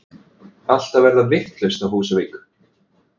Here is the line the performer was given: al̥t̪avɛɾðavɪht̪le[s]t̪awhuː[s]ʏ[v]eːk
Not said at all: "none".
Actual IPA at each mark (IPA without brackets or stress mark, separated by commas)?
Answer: s, s, v